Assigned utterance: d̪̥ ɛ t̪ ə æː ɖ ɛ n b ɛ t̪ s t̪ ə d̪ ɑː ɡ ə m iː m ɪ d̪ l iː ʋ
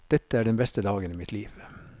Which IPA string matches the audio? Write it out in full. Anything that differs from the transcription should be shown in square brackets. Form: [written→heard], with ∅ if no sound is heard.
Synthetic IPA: d̪̥ ɛ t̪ ə æː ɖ ɛ n b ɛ [t̪→∅] s t̪ ə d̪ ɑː ɡ ə [m→n] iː m ɪ [d̪→t̪] l iː ʋ